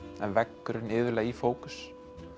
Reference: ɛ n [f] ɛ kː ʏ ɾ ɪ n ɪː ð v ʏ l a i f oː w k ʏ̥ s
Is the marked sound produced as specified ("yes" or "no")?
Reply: no